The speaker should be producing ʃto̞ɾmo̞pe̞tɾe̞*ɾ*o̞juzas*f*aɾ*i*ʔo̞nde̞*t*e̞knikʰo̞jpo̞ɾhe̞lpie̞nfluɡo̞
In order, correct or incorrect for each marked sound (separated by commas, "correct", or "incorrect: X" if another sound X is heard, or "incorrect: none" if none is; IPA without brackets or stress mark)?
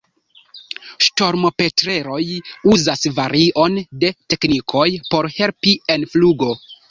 correct, incorrect: v, correct, correct